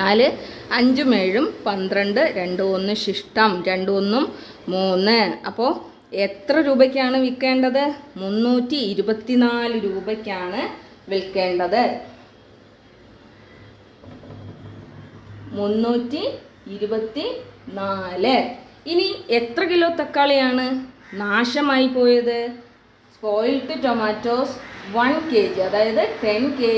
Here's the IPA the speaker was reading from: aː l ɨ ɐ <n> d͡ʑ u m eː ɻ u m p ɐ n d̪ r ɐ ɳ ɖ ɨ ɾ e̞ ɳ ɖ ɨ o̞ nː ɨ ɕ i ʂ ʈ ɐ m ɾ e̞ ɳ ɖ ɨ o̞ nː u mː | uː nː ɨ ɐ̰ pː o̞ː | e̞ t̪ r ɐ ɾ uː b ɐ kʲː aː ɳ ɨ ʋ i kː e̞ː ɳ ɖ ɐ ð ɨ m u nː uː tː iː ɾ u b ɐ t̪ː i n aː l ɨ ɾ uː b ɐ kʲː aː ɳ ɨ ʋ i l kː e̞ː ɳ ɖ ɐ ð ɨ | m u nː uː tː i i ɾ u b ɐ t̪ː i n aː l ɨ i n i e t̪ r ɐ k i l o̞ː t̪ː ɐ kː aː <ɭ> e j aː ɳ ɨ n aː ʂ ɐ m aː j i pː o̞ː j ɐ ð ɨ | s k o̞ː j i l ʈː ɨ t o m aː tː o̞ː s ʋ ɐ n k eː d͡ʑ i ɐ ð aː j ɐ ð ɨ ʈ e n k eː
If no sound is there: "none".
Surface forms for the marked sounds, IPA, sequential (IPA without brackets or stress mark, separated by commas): ɲ, ɭ